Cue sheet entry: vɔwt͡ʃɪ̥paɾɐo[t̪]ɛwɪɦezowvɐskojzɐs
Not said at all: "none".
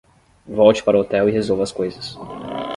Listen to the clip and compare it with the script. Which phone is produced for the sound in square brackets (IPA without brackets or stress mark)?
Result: t̪